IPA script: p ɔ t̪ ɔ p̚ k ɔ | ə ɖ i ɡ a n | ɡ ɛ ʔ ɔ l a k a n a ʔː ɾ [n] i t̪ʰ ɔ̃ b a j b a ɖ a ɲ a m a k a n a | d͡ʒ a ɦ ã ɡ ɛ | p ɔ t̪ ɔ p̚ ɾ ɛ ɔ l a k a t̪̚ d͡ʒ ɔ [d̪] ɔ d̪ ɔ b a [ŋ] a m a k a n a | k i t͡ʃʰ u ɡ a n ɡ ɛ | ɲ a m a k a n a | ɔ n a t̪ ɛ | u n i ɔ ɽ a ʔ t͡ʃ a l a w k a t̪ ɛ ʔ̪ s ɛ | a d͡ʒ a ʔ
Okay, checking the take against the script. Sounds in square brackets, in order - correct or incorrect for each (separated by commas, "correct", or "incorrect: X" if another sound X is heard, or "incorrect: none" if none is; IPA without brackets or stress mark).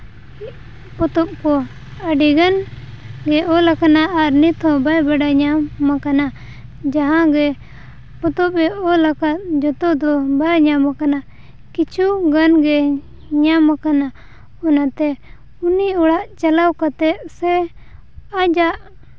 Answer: correct, incorrect: t̪, incorrect: ɲ